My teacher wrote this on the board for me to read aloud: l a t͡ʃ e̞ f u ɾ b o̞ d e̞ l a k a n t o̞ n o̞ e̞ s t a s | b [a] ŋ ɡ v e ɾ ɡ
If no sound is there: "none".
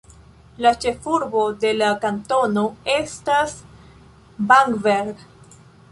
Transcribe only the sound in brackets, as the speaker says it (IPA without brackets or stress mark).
a